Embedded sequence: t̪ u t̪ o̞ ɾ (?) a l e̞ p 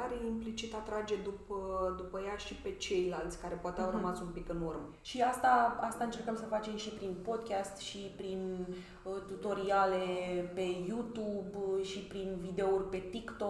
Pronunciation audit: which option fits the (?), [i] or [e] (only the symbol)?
i